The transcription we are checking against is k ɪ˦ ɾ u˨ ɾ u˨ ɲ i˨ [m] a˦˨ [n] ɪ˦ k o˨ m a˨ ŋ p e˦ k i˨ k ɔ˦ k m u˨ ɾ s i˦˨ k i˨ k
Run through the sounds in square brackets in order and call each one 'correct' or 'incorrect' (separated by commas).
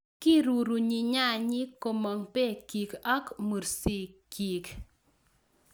incorrect, incorrect